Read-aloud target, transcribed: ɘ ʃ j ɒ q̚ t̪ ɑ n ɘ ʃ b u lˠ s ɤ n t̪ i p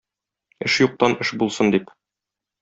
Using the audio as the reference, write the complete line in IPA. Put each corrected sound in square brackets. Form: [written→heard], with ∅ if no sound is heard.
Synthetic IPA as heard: ɘ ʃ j [ɒ→u] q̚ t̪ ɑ n ɘ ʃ b u lˠ s ɤ n [t̪→d̪] i p